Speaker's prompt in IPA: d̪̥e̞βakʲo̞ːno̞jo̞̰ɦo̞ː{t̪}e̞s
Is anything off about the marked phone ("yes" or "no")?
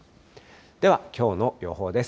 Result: yes